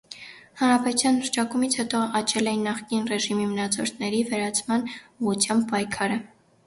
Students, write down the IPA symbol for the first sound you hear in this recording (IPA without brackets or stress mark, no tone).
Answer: h